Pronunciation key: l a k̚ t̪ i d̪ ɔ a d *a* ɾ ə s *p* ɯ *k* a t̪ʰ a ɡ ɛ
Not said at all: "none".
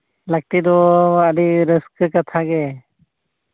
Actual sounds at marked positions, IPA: i, k, k

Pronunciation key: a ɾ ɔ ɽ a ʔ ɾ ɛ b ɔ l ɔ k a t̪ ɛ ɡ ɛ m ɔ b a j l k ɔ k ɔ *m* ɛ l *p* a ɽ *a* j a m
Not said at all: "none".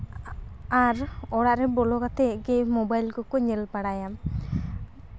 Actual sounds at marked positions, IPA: ɲ, p, a

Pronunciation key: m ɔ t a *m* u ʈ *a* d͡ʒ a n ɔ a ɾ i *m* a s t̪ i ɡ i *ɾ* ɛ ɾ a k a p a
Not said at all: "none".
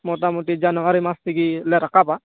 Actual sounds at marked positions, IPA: m, i, m, l

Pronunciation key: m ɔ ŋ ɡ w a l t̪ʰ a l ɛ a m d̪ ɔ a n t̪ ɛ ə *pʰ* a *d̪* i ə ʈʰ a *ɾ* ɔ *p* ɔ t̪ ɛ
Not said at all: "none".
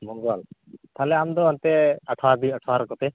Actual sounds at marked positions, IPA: ʈʰ, d̪, ɾ, k

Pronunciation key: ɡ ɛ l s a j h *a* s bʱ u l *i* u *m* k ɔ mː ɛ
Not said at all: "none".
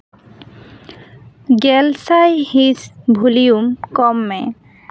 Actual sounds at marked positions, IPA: i, i, m

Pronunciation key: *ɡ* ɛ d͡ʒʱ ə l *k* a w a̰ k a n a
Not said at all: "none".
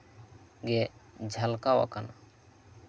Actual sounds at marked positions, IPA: ɡ, k

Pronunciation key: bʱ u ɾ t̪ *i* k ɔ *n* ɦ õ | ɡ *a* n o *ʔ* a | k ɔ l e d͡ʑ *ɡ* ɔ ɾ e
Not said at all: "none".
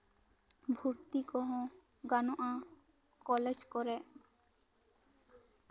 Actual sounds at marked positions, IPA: i, none, a, ʔ, k

